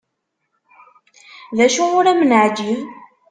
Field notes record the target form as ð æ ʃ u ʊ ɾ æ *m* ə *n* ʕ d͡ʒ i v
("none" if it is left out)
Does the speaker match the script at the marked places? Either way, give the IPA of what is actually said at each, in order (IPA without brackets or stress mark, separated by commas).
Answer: m, n